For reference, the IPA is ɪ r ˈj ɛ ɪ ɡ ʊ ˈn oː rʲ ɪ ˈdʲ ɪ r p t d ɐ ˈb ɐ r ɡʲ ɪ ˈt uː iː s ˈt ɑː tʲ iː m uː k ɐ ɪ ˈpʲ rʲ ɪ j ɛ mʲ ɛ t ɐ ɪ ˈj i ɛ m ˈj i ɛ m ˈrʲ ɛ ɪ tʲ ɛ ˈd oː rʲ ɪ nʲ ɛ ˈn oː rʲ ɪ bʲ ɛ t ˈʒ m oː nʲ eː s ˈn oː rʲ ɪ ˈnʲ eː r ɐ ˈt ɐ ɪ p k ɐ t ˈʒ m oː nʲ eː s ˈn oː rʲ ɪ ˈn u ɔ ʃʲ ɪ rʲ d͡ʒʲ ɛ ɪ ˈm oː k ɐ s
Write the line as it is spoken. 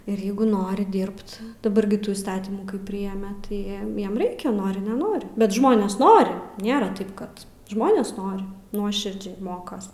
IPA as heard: ɪ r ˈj ɛ ɪ ɡ ʊ ˈn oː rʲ ɪ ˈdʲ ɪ r p t d ɐ ˈb ɐ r ɡʲ ɪ ˈt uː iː s ˈt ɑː tʲ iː m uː k ɐ ɪ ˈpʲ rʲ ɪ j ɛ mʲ ɛ t ɐ ɪ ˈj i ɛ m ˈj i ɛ m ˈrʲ ɛ ɪ kʲ ɛ ˈn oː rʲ ɪ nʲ ɛ ˈn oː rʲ ɪ bʲ ɛ t ˈʒ m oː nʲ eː s ˈn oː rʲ ɪ ˈnʲ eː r ɐ ˈt ɐ ɪ p k ɐ t ˈʒ m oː nʲ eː s ˈn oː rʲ ɪ ˈn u ɔ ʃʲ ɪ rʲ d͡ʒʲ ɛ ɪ ˈm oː k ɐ s

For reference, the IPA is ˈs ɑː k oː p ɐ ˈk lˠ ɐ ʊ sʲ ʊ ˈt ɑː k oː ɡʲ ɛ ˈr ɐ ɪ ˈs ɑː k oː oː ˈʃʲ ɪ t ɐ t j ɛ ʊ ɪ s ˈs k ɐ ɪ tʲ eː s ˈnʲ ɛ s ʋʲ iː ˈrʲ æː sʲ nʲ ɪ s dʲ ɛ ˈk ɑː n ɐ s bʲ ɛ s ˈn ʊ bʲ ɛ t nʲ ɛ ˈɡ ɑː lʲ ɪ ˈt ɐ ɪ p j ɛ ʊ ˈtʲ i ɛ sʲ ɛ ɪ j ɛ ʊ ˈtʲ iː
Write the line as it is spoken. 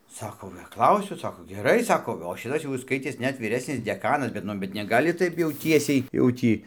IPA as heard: ˈs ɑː k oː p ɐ ˈk lˠ ɐ ʊ sʲ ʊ ˈs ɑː k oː ɡʲ ɛ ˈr ɐ ɪ ˈs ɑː k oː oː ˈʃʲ ɪ t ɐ s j ɛ ʊ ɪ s ˈs k ɐ ɪ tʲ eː s ˈnʲ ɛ t ʋʲ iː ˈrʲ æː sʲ nʲ ɪ s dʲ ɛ ˈk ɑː n ɐ s bʲ ɛ t ˈn ʊ bʲ ɛ t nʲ ɛ ˈɡ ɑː lʲ ɪ ˈt ɐ ɪ p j ɛ ʊ ˈtʲ i ɛ sʲ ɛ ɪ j ɛ ʊ ˈtʲ iː

